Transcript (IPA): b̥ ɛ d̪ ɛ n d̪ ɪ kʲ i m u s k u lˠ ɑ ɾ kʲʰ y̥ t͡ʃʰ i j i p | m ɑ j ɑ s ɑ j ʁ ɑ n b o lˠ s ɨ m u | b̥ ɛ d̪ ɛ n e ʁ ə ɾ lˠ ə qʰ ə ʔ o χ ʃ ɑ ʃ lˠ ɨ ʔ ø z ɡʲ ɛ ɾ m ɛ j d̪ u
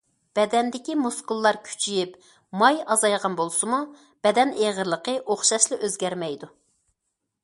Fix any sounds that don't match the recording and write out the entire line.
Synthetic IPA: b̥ ɛ d̪ ɛ n d̪ ɪ kʲ i m u s k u lˠː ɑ ɾ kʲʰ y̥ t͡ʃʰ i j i p | m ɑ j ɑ z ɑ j ʁ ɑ n b o lˠ s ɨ m u | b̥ ɛ d̪ ɛ n e ʁ ə ɾ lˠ ə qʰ ə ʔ o χ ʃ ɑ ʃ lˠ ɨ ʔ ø z ɡʲ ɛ ɾ m ɛ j d̪ u